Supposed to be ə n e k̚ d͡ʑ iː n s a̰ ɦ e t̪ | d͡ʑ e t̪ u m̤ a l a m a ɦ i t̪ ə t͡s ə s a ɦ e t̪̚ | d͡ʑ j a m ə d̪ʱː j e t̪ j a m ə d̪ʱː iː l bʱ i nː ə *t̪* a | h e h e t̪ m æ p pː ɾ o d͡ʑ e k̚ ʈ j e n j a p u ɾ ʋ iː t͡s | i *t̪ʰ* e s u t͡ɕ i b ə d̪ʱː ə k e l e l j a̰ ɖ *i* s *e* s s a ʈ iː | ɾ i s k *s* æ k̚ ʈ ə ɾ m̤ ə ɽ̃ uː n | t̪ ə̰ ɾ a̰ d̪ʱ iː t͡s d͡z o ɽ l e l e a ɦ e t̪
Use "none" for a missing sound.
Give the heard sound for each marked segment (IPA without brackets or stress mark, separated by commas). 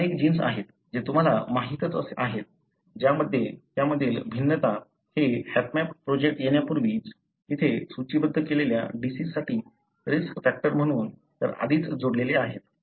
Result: t̪, t̪ʰ, i, i, f